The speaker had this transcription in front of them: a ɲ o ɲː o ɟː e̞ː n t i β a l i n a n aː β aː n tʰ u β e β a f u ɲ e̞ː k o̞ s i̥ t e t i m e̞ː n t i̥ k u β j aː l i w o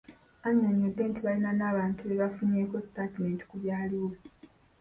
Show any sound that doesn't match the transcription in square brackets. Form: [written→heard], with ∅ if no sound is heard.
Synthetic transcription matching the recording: a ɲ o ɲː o [ɟː→dː] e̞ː n t i β a l i n a n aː β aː n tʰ u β e β a f u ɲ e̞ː k o̞ s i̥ t [e→a] t i m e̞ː n t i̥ k u β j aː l i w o